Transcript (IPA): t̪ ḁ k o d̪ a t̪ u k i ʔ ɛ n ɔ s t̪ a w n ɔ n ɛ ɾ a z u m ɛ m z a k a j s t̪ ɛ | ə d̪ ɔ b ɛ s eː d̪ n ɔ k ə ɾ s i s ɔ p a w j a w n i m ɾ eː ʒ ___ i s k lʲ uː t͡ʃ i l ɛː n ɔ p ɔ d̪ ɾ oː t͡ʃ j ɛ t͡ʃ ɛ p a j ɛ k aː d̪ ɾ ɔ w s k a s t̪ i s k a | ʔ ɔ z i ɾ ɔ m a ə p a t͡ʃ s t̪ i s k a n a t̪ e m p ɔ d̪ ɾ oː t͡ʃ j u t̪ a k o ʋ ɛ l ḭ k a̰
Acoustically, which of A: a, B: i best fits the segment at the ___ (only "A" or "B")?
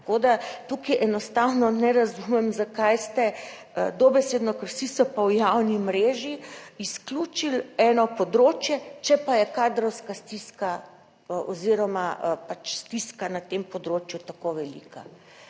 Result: B